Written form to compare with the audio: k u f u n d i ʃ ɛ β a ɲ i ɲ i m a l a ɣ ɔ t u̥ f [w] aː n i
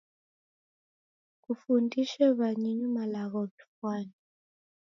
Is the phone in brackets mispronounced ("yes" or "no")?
no